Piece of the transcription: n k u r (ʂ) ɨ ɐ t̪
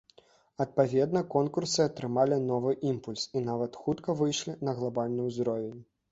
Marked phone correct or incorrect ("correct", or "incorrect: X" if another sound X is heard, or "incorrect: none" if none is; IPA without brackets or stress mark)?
incorrect: s